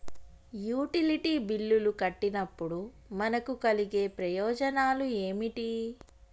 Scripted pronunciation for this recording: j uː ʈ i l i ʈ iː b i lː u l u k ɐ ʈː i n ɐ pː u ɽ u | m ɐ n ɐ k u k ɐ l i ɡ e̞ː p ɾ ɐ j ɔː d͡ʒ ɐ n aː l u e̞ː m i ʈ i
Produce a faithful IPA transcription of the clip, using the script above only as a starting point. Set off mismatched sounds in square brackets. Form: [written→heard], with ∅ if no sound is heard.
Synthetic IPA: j uː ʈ i l i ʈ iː b i lː u l u k ɐ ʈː i n ɐ pː u ɽ u | m ɐ n ɐ k u k ɐ l i ɡ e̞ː p ɾ ɐ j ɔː d͡ʒ ɐ n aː l u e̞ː m i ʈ i